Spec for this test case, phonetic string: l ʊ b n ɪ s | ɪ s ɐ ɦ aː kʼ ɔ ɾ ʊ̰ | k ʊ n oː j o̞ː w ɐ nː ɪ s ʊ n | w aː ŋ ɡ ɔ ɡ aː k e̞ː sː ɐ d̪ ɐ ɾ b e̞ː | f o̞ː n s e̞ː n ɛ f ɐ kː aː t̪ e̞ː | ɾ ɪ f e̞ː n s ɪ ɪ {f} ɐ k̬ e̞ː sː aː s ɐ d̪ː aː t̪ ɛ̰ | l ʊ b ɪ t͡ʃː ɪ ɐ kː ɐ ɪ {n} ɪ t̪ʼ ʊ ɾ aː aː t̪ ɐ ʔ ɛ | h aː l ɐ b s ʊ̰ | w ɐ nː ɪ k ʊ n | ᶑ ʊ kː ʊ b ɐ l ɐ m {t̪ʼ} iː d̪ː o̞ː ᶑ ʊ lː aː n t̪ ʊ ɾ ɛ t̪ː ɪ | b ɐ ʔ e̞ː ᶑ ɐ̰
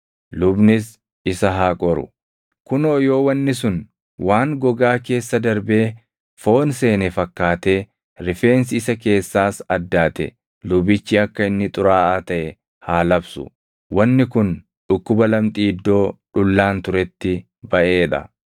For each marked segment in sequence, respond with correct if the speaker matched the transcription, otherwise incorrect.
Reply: incorrect, incorrect, correct

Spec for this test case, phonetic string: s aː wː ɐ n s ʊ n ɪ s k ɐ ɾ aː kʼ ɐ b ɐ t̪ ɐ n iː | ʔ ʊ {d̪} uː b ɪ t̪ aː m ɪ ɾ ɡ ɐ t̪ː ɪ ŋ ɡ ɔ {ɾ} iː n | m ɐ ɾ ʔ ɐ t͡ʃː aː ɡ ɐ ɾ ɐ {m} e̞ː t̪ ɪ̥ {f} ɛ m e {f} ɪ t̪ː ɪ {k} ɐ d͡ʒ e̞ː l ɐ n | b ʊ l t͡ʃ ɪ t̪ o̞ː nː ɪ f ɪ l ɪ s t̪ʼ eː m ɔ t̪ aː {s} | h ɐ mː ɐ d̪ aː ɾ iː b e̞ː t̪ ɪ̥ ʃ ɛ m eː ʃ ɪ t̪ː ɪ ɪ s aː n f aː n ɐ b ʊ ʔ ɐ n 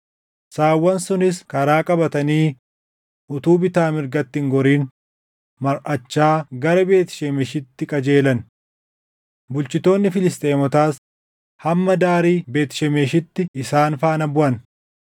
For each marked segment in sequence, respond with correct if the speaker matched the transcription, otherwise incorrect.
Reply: incorrect, correct, incorrect, incorrect, incorrect, incorrect, correct

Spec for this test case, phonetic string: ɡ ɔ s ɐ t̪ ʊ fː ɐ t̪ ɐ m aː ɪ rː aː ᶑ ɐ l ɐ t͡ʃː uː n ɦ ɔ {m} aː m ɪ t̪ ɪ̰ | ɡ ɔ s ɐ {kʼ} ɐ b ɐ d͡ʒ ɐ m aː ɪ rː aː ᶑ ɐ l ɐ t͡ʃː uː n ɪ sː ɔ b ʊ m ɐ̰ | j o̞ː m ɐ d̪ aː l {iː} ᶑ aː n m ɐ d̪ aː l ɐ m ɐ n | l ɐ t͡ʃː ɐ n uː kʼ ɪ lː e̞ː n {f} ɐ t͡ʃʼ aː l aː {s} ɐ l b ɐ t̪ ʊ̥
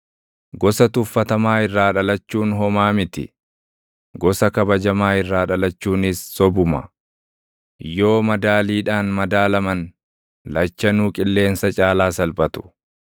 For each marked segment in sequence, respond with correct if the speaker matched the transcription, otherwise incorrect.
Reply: correct, incorrect, correct, incorrect, correct

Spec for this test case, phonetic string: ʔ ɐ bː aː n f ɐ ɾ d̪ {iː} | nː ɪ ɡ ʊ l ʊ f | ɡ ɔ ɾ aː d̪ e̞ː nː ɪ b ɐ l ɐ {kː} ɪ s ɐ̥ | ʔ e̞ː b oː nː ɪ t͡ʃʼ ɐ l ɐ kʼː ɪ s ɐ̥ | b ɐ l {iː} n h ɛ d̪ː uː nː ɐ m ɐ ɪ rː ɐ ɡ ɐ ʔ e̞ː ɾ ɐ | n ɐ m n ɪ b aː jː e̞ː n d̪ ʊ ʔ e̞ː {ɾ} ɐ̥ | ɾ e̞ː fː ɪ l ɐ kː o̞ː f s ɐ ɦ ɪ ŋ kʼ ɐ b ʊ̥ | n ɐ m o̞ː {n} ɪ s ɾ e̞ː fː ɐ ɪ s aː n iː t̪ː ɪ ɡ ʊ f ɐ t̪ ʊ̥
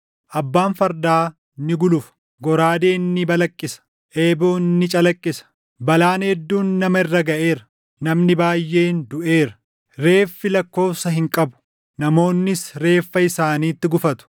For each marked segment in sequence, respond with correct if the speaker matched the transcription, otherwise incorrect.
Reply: incorrect, incorrect, incorrect, correct, incorrect

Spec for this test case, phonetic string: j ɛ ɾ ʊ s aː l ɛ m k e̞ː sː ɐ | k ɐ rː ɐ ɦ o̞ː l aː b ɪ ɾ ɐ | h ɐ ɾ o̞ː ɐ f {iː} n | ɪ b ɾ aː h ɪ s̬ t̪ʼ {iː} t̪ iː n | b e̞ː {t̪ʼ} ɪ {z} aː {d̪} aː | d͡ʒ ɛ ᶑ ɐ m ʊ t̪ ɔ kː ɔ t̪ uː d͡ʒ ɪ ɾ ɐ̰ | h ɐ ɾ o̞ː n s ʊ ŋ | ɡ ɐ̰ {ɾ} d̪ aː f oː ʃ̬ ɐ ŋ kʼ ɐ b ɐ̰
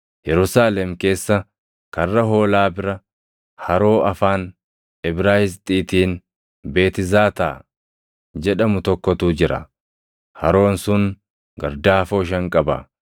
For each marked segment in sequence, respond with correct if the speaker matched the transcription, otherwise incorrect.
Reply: incorrect, correct, incorrect, correct, incorrect, correct

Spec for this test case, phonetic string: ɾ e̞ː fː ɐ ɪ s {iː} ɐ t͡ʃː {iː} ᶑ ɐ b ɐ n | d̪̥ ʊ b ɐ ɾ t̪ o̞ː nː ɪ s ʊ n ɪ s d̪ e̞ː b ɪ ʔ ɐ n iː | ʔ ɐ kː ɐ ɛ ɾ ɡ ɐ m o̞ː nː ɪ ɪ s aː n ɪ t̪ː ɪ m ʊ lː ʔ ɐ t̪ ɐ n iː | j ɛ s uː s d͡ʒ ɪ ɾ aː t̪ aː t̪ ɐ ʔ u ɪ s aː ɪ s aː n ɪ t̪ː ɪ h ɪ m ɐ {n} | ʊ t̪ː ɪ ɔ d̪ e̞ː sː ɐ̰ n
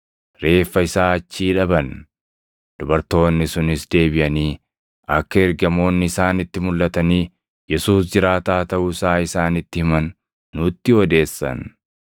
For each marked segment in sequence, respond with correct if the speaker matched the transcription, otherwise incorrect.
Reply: incorrect, correct, incorrect

